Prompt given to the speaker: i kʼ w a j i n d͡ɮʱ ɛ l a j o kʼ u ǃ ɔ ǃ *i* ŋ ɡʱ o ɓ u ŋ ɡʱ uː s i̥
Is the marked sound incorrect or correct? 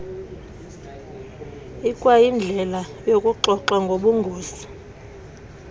incorrect